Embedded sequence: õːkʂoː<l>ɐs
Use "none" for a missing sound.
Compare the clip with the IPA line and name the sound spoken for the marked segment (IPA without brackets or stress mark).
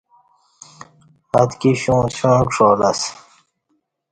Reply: l